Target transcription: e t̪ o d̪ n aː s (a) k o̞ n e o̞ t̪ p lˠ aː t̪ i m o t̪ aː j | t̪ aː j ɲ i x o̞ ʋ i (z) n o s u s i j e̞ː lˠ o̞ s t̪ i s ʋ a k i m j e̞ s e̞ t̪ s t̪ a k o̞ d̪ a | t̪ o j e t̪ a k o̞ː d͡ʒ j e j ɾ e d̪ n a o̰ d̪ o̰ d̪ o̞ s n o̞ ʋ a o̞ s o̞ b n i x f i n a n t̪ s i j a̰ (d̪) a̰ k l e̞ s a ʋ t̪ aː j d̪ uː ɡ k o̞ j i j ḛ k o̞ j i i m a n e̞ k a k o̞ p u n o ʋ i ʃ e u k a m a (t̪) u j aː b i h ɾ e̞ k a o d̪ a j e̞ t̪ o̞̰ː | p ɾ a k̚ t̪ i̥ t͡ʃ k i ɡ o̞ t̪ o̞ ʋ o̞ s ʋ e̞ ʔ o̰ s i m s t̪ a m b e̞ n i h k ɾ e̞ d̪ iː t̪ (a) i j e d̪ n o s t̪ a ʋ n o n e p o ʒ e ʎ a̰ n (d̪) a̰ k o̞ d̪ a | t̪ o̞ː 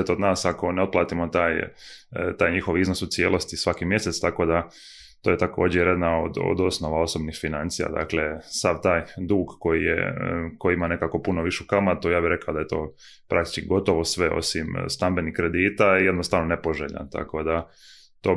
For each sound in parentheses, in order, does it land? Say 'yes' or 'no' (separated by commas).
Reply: yes, yes, yes, yes, yes, no